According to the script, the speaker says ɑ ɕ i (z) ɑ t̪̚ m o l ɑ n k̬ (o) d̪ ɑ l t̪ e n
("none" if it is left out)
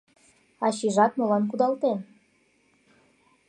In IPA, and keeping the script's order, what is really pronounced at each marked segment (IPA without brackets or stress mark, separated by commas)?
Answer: ʒ, u